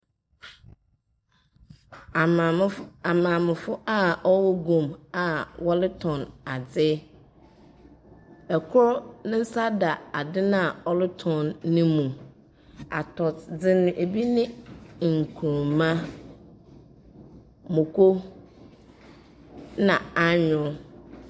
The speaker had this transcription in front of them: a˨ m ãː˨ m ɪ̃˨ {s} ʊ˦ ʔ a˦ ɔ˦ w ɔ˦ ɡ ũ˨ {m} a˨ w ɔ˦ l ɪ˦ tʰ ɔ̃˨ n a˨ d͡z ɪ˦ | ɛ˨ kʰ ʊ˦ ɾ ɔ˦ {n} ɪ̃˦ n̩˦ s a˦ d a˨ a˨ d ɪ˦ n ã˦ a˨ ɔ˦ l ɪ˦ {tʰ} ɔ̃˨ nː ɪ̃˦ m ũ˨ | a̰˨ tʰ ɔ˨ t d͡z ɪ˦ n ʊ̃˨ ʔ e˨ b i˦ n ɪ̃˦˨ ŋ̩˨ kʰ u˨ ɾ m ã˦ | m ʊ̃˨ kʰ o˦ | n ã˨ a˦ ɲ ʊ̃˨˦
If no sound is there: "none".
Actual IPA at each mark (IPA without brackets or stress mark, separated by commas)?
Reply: f, m, n, tʰ